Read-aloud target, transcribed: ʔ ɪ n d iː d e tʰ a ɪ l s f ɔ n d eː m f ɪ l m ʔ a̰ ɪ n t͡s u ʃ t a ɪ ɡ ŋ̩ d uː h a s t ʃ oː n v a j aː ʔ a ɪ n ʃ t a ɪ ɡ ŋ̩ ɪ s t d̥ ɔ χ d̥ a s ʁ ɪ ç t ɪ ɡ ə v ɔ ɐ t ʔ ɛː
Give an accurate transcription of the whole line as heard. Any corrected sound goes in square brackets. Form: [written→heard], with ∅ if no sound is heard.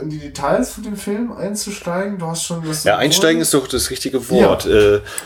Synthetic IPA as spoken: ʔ ɪ n d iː d e tʰ a ɪ l s f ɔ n d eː m f ɪ l m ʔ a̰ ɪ n t͡s u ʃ t a ɪ ɡ ŋ̩ d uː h a s t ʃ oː n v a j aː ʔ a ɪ n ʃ t a ɪ ɡ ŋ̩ ɪ s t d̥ ɔ χ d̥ a s ʁ ɪ ç t ɪ ɡ ə v ɔ ɐ t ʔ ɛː